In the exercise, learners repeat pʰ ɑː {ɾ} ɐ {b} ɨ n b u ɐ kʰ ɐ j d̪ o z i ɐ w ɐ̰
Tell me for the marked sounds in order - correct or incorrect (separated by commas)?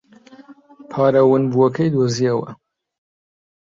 correct, incorrect